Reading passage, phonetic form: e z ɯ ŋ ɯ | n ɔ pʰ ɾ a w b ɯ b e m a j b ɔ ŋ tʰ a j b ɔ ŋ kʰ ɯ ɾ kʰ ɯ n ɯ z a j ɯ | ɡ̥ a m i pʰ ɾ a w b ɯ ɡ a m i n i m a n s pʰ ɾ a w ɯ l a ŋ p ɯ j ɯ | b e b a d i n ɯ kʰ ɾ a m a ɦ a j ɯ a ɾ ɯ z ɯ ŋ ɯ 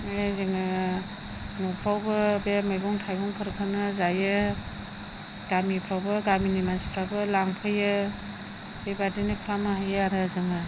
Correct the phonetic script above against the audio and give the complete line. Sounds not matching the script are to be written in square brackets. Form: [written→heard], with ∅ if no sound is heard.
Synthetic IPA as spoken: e z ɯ ŋ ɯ | n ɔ pʰ ɾ a w b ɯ b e m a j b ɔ ŋ tʰ a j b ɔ ŋ [kʰ→pʰ] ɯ ɾ kʰ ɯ n ɯ z a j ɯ | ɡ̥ a m i pʰ ɾ a w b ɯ ɡ a m i n i m a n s pʰ ɾ a [w→b] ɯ l a ŋ [p→pʰ] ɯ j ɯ | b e b a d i n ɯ kʰ ɾ a m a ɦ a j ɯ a ɾ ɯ z ɯ ŋ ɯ